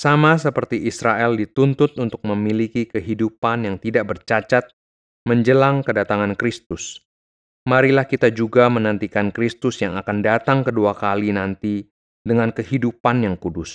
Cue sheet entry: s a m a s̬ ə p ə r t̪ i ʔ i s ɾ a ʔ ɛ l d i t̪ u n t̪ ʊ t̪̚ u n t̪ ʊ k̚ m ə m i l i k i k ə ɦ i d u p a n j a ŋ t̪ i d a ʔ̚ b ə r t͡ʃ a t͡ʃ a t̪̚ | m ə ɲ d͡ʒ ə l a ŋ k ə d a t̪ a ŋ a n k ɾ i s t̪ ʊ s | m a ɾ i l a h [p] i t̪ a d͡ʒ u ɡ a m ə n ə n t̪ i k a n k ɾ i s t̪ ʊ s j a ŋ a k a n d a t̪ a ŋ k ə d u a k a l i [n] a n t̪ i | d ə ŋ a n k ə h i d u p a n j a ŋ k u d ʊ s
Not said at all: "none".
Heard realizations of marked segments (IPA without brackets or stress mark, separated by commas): k, n